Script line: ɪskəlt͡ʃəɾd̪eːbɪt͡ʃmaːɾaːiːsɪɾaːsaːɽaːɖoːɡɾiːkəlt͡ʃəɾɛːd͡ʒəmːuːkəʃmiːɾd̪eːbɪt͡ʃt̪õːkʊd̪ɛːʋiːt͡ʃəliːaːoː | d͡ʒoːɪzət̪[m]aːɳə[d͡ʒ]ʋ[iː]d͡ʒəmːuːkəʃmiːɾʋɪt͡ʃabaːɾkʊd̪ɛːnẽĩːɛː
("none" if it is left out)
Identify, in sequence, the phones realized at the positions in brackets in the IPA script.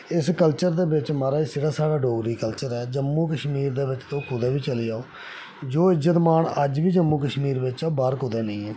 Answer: m, d͡ʒ, iː

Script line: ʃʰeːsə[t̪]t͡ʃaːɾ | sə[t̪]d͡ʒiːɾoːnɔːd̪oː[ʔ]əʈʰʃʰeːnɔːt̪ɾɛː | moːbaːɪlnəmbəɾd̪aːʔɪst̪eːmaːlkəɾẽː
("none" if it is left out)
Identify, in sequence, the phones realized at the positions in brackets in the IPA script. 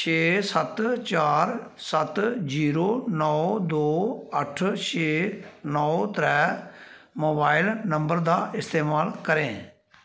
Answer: t̪, t̪, none

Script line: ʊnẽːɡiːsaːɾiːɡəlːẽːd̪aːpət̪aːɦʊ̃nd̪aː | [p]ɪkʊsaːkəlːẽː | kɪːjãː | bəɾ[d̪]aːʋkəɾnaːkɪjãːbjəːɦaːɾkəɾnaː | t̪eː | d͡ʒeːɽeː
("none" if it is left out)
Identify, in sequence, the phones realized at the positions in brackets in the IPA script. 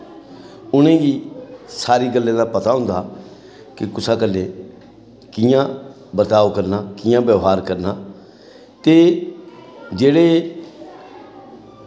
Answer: k, t̪

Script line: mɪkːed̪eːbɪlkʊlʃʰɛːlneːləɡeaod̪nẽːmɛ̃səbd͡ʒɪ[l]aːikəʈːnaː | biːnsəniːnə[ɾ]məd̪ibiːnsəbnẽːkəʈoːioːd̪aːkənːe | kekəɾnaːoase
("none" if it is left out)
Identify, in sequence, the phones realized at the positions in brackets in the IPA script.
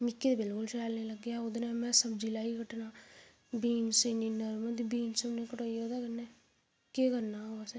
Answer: l, ɾ

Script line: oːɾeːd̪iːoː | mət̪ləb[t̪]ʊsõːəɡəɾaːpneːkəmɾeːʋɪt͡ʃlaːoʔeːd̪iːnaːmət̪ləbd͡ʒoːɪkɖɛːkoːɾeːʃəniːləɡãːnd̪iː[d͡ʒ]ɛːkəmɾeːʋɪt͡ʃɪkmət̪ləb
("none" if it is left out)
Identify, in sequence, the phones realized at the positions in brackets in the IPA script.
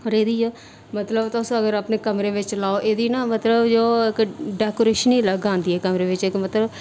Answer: t̪, none

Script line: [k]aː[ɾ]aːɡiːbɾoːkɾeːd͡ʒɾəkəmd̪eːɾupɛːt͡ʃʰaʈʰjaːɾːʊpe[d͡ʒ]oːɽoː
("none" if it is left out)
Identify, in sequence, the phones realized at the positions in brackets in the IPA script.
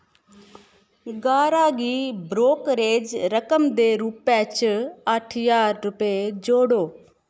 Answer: ɡ, ɾ, d͡ʒ

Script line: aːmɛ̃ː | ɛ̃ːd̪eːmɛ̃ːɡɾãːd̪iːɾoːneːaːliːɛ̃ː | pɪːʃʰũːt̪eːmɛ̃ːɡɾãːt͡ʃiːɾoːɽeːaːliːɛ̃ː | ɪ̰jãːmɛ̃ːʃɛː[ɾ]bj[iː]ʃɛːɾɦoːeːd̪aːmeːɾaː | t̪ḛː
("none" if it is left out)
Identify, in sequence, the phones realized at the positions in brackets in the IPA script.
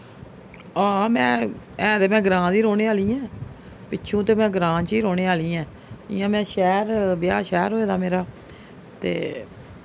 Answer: ɾ, aː

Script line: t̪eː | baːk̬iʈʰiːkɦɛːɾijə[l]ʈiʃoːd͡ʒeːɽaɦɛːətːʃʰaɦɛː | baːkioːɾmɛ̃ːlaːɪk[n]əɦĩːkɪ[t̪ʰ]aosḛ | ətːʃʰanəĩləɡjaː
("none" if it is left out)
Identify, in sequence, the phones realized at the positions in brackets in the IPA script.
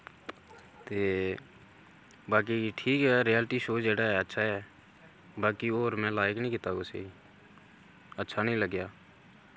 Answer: l, n, t̪

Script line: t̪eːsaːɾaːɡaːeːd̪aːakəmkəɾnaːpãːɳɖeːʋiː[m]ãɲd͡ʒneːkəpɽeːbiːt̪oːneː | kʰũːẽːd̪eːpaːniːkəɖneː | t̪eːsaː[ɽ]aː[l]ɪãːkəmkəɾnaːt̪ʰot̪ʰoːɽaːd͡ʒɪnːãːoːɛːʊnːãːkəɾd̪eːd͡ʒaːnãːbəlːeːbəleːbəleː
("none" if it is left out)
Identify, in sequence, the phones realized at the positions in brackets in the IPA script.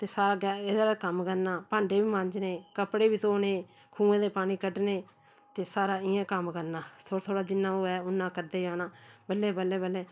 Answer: m, ɾ, none

